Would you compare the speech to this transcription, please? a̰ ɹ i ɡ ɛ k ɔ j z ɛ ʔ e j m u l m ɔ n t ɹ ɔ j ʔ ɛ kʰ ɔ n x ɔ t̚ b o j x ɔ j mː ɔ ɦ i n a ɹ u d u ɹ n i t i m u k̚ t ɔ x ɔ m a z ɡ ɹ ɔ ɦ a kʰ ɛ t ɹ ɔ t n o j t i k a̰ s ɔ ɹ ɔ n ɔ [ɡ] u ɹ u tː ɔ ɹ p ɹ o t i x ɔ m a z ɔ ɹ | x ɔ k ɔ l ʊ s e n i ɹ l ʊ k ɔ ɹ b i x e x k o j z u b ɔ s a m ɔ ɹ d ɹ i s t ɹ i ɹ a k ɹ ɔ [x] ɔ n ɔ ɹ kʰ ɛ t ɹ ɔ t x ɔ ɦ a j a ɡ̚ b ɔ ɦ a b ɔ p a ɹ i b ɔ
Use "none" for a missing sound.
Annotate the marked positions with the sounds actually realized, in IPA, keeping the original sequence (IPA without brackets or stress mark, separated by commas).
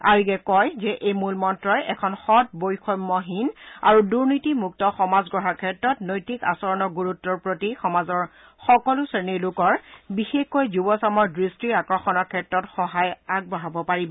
ɡ, x